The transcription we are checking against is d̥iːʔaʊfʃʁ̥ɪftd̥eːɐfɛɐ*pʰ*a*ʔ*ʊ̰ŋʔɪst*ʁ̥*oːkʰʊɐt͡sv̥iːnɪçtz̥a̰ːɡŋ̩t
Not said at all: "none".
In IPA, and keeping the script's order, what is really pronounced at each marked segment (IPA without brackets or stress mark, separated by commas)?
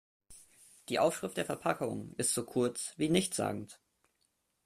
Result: pʰ, k, z̥